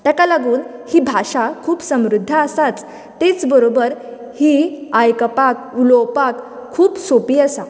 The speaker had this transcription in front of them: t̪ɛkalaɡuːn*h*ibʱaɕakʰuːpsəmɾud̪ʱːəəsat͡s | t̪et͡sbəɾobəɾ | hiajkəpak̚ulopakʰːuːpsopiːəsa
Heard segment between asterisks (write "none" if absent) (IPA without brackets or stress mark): h